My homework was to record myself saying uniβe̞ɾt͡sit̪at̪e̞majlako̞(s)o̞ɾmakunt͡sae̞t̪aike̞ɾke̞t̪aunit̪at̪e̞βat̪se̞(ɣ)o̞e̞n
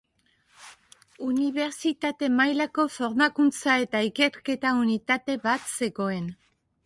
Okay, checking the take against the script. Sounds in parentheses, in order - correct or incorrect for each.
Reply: incorrect: f, correct

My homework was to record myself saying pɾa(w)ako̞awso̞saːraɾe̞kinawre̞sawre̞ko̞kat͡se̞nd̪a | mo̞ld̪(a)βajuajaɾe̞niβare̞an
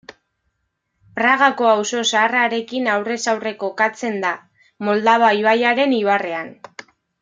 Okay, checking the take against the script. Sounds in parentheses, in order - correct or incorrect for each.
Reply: incorrect: ɣ, correct

